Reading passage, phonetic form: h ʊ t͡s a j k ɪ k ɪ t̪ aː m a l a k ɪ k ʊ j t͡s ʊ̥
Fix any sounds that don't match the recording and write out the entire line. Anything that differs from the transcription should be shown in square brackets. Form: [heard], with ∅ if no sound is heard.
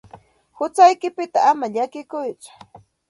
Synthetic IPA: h ʊ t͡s a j k ɪ [p] ɪ t̪ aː m a [ʎ] a k ɪ k ʊ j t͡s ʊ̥